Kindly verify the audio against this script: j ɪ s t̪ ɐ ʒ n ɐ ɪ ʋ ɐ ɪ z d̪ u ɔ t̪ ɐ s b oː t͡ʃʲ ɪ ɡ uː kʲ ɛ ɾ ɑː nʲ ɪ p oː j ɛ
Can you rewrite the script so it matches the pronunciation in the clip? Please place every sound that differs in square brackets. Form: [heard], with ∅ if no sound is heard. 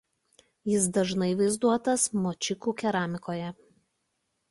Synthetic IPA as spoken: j ɪ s [d̪] ɐ ʒ n ɐ ɪ ʋ ɐ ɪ z d̪ u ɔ t̪ ɐ s [m] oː t͡ʃʲ ɪ [k] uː kʲ ɛ ɾ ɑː [mʲ] ɪ [k] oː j ɛ